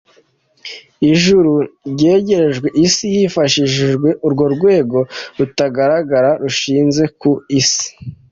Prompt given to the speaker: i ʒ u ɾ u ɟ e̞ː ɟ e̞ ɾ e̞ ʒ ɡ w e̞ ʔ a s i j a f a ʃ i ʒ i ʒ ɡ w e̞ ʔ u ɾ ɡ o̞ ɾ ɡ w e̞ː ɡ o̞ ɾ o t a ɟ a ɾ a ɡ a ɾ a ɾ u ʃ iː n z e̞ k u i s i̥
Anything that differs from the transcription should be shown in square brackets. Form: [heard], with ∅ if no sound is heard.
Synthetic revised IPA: i ʒ u ɾ u ɟ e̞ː ɟ e̞ ɾ e̞ ʒ ɡ w e̞ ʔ [i] s i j [i] f a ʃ i ʒ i ʒ ɡ w e̞ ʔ u ɾ ɡ o̞ ɾ ɡ w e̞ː ɡ o̞ ɾ [u] t a [ɡ] a ɾ a ɡ a ɾ a ɾ u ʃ iː n z e̞ k u i s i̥